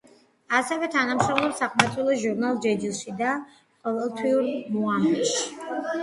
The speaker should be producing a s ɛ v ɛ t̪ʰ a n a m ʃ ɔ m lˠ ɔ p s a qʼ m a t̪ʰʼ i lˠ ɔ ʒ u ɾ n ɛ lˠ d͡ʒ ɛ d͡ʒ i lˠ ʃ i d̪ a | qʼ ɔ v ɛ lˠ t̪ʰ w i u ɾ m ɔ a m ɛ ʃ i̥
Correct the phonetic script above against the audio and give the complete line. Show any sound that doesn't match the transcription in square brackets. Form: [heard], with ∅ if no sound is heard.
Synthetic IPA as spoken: a s ɛ v ɛ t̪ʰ a n a m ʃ ɔ m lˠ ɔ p s a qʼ m a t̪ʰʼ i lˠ ɔ ʒ u ɾ n [a] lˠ d͡ʒ ɛ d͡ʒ i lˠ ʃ i d̪ a | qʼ ɔ v ɛ lˠ t̪ʰ w i u ɾ m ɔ a m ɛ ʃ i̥